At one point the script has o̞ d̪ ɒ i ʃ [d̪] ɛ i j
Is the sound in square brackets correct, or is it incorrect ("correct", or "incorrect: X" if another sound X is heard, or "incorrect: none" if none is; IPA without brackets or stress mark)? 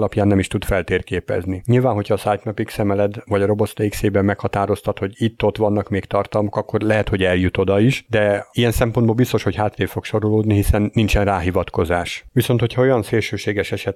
correct